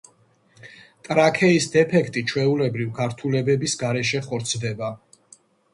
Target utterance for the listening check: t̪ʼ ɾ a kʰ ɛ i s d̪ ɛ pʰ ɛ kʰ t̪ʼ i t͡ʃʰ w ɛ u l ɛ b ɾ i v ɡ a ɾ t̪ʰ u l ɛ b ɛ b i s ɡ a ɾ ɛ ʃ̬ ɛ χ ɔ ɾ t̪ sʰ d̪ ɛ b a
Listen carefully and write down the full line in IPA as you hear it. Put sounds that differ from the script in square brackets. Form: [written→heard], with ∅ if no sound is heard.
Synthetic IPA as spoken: t̪ʼ ɾ a kʰ ɛ i s d̪ ɛ pʰ ɛ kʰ t̪ʼ i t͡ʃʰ w ɛ u l ɛ b ɾ i v ɡ a ɾ t̪ʰ u l ɛ b ɛ b i s ɡ a ɾ ɛ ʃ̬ ɛ χ ɔ ɾ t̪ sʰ d̪ ɛ b a